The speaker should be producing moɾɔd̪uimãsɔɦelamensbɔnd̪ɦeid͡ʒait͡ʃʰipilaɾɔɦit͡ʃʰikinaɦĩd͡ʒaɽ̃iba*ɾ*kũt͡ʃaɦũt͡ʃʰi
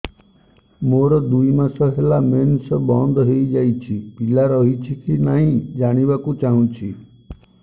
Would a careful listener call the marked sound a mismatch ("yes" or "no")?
yes